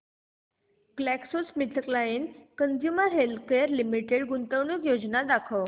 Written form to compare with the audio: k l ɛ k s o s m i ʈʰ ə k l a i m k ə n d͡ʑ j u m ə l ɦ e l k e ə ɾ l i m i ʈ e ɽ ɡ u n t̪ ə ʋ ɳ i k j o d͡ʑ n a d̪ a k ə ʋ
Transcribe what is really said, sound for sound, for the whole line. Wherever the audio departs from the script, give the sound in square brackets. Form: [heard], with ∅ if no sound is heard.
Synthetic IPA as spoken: k l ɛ k s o s m i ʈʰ ə k l a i [n] k ə n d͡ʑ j u m ə [ɾ] ɦ e l k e ə ɾ l i m i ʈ e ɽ ɡ u n t̪ ə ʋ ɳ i k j o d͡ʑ n a d̪ a [kʰ] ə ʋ